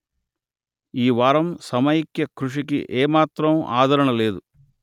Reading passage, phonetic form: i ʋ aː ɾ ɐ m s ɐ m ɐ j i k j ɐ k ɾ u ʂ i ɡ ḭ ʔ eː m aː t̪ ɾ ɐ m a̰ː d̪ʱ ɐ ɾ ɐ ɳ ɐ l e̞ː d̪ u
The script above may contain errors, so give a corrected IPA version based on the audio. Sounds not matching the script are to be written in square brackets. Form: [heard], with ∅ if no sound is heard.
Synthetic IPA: [iː] ʋ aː ɾ ɐ m s ɐ m ɐ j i k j ɐ k ɾ u ʂ i [k] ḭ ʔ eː m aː t̪ ɾ ɐ m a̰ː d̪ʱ ɐ ɾ ɐ ɳ ɐ l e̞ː d̪ u